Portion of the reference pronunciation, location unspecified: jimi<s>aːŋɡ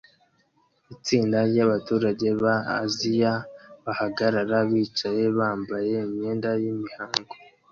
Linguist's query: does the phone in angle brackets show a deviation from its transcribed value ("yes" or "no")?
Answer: yes